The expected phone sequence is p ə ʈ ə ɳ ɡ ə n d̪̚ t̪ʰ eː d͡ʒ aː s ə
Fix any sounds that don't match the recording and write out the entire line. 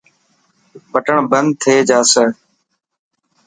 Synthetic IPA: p ə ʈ ə ɳ b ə n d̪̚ t̪ʰ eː d͡ʒ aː s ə